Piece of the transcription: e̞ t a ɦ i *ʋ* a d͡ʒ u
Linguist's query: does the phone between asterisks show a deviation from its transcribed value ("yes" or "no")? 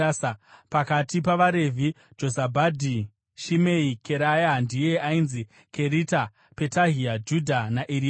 yes